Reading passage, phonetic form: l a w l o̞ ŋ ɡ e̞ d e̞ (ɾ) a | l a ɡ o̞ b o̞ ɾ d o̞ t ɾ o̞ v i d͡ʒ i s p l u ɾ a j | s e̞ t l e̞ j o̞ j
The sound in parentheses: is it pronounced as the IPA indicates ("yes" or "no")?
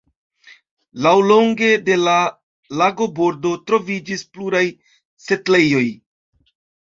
no